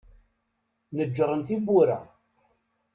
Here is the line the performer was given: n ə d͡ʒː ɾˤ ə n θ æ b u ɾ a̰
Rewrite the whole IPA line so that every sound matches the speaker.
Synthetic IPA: n ə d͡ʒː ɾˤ ə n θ i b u ɾ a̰